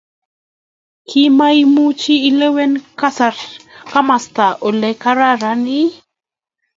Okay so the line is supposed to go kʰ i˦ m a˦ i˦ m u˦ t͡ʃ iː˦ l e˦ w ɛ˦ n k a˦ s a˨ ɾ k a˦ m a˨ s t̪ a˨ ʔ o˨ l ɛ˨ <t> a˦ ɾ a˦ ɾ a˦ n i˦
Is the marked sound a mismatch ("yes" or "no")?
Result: yes